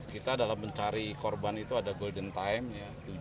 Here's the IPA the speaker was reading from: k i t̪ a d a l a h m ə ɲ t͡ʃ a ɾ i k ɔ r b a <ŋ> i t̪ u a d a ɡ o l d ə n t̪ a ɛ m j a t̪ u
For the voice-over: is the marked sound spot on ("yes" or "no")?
no